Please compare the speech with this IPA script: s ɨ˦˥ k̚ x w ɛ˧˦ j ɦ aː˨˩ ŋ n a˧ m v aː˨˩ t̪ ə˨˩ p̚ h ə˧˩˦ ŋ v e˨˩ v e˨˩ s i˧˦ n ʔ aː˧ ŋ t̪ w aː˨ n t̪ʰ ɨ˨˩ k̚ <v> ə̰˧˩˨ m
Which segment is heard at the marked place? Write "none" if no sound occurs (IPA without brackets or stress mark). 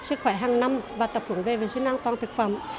f